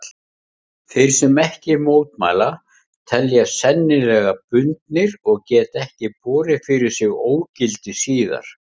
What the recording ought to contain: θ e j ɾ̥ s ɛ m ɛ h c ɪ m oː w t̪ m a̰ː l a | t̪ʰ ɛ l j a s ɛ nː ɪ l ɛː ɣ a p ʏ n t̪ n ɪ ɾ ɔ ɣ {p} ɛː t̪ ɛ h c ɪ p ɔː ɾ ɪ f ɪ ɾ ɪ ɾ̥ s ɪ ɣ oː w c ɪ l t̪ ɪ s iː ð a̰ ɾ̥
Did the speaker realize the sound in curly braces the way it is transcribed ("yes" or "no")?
no